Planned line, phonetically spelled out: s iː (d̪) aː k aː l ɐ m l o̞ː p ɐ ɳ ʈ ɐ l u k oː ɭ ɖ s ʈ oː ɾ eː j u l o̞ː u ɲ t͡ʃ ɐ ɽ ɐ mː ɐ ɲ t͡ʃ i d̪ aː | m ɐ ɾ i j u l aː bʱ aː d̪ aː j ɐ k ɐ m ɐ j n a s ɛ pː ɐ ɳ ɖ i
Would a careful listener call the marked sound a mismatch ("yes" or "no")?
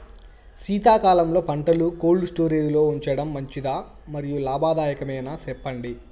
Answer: yes